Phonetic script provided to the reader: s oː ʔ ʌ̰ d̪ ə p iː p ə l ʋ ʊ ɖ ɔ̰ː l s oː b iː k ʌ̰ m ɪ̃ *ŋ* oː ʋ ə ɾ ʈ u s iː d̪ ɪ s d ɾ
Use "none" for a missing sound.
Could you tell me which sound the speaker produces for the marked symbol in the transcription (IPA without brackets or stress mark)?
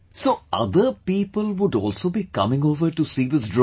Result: ŋ